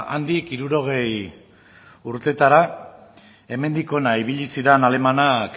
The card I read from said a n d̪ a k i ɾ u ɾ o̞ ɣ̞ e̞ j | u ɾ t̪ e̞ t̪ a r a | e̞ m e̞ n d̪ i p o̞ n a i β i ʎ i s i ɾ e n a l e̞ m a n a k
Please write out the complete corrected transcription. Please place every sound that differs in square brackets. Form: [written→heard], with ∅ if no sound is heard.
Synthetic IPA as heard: a n d̪ [a→i] k i ɾ u ɾ o̞ ɣ̞ e̞ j | u ɾ t̪ e̞ t̪ a [r→ɾ] a | e̞ m e̞ n d̪ i [p→k] o̞ n a i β i ʎ i s i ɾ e n a l e̞ m a n a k